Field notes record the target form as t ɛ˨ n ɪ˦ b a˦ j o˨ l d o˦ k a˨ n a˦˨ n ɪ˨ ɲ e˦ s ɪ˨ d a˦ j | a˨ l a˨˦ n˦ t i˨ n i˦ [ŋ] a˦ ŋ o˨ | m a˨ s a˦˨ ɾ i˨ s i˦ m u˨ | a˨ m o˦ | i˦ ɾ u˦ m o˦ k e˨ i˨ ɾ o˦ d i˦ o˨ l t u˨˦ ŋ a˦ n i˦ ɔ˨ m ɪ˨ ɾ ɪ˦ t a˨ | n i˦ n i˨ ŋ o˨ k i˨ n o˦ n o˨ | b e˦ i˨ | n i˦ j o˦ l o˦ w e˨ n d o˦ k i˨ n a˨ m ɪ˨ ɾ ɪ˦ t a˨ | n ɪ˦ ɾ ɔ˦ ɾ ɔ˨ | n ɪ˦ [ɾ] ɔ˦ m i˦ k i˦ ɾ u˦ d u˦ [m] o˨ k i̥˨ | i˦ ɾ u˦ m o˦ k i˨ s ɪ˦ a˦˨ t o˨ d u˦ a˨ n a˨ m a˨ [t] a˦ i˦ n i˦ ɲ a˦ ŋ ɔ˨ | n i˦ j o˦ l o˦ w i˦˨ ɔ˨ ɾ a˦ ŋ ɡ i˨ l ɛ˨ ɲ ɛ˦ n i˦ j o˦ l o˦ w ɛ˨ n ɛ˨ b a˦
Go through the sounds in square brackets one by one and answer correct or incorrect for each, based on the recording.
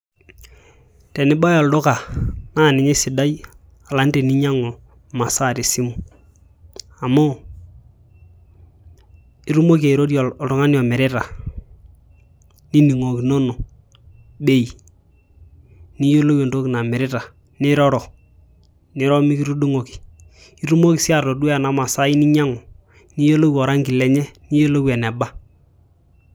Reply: incorrect: ɲ, correct, incorrect: ŋ, incorrect: s

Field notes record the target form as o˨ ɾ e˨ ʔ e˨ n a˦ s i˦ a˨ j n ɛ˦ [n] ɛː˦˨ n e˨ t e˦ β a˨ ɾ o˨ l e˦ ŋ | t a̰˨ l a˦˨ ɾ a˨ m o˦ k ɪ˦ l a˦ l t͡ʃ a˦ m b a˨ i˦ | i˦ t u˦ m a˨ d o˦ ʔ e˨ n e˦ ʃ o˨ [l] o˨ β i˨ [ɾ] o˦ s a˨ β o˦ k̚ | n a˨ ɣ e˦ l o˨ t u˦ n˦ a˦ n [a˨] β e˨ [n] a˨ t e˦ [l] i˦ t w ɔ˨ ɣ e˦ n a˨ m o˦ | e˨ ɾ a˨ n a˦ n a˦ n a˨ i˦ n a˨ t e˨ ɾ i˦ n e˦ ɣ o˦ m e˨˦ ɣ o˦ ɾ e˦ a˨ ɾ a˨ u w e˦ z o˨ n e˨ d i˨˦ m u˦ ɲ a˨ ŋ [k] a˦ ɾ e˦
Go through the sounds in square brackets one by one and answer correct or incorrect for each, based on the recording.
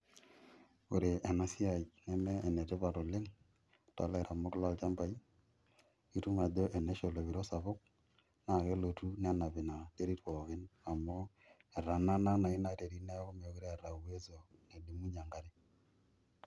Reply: incorrect: m, correct, correct, correct, correct, incorrect: ɾ, incorrect: ɡ

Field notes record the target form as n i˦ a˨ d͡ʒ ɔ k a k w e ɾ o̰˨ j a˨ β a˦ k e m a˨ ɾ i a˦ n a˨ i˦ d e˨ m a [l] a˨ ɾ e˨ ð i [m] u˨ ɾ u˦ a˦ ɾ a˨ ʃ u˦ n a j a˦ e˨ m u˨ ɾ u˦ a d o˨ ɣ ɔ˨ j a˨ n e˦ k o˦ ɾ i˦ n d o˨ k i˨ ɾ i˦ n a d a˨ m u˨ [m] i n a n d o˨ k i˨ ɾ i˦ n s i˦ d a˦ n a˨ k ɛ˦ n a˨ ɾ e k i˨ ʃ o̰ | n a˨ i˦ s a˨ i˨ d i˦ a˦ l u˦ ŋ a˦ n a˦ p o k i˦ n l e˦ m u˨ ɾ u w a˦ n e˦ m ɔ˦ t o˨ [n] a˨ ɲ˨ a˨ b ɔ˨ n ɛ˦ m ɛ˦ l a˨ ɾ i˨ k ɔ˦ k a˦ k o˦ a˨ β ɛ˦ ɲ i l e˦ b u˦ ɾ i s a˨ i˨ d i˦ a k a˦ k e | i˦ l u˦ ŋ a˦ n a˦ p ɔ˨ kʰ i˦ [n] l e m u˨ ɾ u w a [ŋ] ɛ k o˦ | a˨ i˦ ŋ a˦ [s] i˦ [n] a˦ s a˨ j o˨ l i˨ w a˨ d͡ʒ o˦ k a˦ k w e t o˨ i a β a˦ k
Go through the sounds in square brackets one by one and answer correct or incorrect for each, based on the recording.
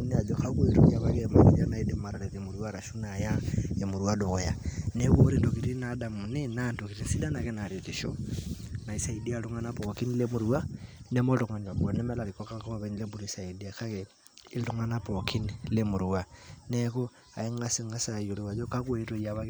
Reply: incorrect: ɾ, correct, incorrect: n, incorrect: ŋ, correct, incorrect: n, correct, incorrect: ŋ

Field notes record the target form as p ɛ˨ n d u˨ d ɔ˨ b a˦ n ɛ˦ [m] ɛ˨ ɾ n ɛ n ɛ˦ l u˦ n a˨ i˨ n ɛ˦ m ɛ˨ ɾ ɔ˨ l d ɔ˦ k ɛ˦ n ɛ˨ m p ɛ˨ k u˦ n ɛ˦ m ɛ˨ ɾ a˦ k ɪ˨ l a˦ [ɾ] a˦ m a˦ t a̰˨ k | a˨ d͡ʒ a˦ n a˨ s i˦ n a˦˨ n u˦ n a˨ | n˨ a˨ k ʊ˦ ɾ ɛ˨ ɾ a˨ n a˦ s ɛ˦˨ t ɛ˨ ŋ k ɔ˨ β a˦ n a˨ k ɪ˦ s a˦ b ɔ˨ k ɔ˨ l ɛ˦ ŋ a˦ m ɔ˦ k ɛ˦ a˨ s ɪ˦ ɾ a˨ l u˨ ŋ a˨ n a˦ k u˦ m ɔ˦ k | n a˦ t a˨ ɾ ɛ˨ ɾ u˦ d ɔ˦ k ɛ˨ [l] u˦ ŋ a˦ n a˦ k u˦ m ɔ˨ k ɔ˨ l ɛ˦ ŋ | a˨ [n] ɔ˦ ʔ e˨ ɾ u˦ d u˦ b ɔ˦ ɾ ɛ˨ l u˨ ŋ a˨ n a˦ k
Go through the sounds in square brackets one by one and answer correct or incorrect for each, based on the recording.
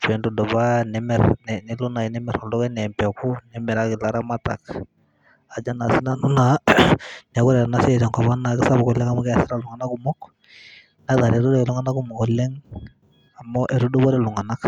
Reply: correct, correct, correct, incorrect: m

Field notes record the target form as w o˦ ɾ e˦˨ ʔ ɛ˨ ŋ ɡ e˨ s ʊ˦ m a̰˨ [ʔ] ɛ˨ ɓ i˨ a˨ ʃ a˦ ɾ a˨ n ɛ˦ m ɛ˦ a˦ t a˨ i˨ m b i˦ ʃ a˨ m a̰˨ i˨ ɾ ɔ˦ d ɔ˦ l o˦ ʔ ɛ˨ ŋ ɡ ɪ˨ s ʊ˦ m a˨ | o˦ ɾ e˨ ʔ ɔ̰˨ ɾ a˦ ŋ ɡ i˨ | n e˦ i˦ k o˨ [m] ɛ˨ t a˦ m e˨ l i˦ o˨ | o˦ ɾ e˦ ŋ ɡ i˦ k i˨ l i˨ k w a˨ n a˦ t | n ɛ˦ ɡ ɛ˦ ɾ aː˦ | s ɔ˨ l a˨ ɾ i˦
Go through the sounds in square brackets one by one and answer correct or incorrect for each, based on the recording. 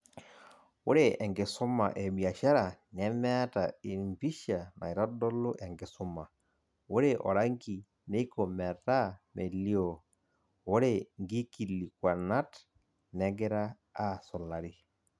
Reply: correct, correct

